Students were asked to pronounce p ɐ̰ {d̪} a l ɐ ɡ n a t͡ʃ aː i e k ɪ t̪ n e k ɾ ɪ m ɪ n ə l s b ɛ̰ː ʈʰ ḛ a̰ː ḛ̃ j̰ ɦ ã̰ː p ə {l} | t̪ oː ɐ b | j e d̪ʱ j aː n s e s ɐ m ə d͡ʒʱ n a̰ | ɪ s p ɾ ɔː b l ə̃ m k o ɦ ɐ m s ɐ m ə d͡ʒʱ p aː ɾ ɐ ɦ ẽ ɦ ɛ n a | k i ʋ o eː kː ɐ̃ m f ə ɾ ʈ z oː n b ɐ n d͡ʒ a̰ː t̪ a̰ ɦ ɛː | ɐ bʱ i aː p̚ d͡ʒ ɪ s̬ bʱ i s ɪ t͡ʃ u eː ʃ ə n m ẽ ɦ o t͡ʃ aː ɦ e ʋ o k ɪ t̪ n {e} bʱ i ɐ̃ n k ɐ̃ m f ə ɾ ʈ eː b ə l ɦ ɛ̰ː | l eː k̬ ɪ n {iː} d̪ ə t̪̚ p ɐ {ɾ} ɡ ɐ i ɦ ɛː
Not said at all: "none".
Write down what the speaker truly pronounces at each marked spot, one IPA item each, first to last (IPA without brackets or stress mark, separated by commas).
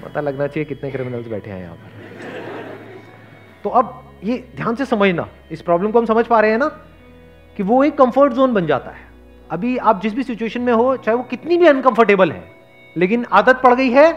t̪, ɾ, i, aː, ɽ